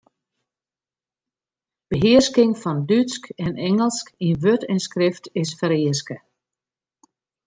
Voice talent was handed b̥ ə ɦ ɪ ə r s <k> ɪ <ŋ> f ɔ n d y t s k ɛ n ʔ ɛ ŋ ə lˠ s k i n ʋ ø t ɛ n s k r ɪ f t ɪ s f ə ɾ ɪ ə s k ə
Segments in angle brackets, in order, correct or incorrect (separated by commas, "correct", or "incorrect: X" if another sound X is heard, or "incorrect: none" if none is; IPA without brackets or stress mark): correct, correct